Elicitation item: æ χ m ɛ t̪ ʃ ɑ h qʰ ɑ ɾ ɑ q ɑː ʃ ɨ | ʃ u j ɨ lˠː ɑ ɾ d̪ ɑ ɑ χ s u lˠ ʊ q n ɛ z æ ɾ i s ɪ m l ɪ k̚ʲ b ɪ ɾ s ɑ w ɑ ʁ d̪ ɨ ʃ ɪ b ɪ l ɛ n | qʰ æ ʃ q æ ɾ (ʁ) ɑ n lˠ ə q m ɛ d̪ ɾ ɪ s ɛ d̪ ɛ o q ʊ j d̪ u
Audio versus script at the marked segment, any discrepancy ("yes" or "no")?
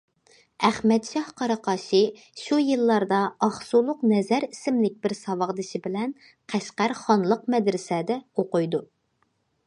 yes